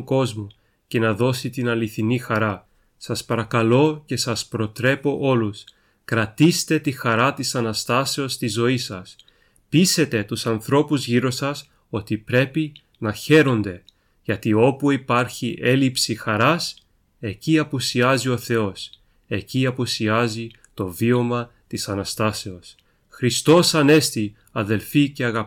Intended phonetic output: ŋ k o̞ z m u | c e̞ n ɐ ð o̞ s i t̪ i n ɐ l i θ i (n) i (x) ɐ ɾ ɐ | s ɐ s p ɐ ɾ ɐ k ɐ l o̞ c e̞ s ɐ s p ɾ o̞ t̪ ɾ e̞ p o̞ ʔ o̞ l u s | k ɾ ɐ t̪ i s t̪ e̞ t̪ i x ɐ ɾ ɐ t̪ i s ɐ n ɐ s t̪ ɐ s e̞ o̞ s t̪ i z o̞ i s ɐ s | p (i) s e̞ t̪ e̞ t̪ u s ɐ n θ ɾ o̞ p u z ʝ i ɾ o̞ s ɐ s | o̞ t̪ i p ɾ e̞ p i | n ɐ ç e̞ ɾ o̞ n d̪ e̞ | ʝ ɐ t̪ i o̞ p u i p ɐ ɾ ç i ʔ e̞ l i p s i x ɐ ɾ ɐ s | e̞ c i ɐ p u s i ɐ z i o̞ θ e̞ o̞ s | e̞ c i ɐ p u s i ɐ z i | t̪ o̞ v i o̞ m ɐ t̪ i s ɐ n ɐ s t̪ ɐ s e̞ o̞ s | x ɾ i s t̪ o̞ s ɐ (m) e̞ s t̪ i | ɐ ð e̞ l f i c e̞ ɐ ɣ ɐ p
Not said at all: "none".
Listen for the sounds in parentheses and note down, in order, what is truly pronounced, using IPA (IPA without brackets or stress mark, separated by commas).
n, x, i, n